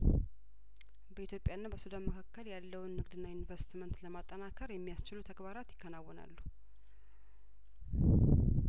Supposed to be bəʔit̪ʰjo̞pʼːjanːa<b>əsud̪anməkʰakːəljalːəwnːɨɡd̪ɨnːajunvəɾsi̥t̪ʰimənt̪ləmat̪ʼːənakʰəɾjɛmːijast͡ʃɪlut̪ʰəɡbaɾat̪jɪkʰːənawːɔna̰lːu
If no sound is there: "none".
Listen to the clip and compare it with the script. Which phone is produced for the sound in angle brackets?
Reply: b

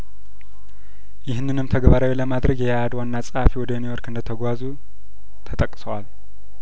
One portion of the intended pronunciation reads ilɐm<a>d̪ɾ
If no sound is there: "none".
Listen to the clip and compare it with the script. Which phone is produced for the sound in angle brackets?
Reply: a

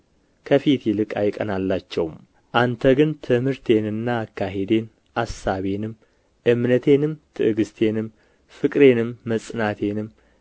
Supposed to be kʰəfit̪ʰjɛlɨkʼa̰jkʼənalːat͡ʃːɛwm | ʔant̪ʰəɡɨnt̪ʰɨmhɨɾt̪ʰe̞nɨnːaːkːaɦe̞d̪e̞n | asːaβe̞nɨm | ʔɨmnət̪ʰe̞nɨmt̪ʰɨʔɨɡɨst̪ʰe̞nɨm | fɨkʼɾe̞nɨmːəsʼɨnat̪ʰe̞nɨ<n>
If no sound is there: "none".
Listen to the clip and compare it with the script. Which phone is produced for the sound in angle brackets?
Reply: m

